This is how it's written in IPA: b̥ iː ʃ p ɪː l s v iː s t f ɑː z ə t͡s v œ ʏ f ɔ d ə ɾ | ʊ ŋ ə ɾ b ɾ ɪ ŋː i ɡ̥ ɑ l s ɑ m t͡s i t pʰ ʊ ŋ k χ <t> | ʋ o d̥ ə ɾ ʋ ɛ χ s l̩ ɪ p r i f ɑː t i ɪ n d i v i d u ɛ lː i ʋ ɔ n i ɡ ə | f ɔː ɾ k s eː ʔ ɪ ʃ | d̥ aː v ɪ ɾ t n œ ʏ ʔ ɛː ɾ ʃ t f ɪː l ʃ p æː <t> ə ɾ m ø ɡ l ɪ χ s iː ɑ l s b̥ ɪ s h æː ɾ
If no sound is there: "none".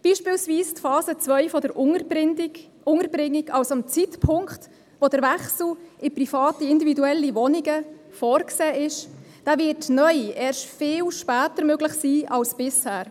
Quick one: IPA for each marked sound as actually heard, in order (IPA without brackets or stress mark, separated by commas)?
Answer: t, t